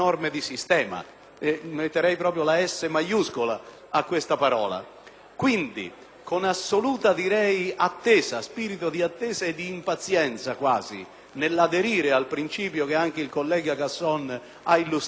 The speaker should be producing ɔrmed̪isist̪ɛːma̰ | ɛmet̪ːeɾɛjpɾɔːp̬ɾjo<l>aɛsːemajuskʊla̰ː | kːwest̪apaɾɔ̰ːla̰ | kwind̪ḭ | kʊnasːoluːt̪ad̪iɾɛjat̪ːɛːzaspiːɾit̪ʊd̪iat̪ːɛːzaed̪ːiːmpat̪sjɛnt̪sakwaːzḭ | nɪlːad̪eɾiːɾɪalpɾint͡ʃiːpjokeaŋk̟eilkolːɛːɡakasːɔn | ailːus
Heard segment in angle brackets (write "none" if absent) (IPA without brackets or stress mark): l